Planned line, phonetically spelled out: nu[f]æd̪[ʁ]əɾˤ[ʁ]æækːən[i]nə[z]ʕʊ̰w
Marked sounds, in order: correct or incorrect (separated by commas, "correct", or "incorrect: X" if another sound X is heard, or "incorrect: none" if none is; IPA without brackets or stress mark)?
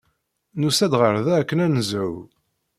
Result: incorrect: s, correct, incorrect: ð, incorrect: æ, correct